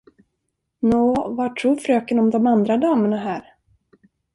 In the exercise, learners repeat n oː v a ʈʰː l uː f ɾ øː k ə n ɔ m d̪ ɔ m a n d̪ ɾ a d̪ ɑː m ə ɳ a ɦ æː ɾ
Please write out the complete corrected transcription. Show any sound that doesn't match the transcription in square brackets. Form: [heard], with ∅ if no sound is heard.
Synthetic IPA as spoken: n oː v a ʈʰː [ɾ] uː f ɾ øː k ə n ɔ m d̪ ɔ m a n d̪ ɾ a d̪ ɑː m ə ɳ a ɦ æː ɾ